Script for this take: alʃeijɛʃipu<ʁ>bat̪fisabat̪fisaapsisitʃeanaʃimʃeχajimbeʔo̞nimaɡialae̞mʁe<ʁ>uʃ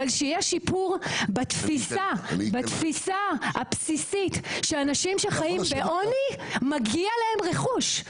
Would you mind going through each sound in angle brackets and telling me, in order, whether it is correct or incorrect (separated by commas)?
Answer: correct, incorrect